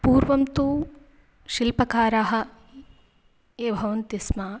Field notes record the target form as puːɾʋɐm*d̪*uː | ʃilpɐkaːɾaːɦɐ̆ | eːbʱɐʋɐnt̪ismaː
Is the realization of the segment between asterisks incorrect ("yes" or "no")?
yes